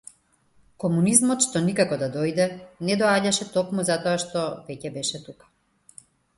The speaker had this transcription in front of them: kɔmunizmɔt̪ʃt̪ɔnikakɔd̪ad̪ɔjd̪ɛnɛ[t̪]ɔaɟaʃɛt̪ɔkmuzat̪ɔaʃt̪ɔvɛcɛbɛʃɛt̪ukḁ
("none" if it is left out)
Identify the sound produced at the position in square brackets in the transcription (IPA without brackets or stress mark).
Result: d̪